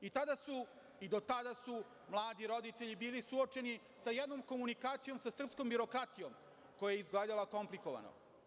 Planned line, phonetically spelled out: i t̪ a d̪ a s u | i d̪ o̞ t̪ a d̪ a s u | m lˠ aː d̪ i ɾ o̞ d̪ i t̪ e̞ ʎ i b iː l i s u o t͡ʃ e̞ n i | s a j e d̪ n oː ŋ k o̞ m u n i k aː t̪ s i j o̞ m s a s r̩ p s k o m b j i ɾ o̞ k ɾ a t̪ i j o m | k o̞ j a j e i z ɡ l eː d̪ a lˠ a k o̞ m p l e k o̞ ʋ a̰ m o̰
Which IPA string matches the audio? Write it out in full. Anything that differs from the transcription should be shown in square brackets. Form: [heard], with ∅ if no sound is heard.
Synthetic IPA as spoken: i t̪ a d̪ a s u | i d̪ o̞ t̪ a d̪ a s u | m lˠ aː d̪ i ɾ o̞ d̪ i t̪ e̞ ʎ i b iː l i s u o t͡ʃ e̞ n i | s a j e d̪ n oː [m] k o̞ m u n i k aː t̪ s i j o̞ m s a s r̩ p s k o m b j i ɾ o̞ k ɾ a t̪ i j o m | k o̞ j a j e i z ɡ l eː d̪ a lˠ a k o̞ m p l [i] k o̞ ʋ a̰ [n] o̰